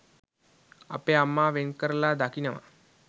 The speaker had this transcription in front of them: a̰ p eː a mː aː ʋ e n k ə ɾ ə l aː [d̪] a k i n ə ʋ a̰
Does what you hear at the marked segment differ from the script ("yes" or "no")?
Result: no